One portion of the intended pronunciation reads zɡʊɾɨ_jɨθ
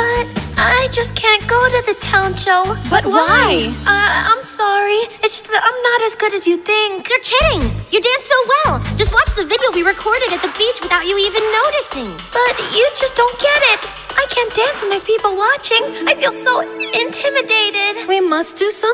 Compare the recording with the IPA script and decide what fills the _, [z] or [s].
z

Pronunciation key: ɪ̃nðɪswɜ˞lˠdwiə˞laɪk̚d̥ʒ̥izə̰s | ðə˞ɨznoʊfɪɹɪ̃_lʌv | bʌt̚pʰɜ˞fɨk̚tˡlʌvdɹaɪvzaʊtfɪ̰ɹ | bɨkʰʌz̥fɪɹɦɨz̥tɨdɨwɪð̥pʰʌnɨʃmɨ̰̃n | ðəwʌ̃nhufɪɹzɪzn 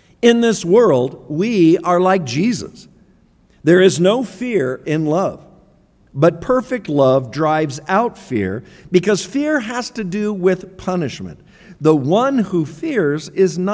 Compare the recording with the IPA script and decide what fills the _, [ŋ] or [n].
n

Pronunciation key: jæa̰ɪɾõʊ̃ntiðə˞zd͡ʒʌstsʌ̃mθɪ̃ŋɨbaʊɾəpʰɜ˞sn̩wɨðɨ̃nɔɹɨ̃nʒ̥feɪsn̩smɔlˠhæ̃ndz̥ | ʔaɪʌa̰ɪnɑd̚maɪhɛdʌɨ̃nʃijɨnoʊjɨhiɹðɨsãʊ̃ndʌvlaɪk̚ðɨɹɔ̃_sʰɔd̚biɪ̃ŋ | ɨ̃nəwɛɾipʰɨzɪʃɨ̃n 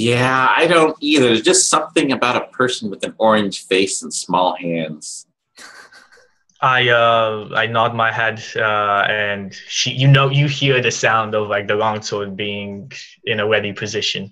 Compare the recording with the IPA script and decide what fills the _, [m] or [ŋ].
ŋ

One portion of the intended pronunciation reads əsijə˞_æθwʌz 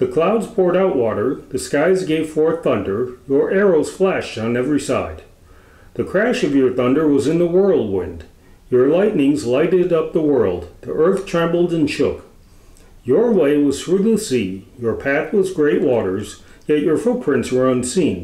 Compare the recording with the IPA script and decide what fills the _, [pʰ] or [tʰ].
pʰ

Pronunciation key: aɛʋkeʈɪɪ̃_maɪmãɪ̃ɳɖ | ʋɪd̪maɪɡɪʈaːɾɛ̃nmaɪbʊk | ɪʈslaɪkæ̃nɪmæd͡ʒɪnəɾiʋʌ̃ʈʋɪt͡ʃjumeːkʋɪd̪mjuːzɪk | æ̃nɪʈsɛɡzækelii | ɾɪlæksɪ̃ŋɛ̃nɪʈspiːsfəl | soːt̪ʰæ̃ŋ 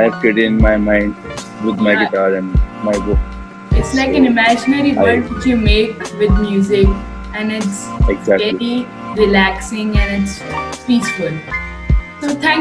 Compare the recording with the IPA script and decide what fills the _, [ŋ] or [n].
n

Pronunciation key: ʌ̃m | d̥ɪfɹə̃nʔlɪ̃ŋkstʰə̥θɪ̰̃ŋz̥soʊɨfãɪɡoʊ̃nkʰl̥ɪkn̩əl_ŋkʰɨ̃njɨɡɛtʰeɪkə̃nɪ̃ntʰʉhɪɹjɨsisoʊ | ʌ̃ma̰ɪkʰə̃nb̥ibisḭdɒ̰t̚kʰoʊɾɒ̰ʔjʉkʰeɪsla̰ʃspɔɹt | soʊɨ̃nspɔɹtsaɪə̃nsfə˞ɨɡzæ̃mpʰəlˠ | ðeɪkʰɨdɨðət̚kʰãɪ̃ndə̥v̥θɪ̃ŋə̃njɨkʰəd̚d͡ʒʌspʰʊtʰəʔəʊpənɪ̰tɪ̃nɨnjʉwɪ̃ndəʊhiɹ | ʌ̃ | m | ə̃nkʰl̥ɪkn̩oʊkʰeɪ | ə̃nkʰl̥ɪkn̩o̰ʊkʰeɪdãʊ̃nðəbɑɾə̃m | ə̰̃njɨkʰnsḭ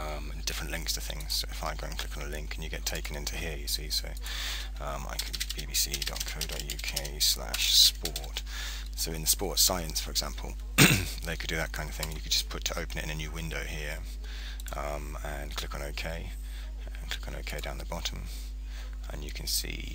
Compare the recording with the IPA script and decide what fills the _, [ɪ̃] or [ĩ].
ɪ̃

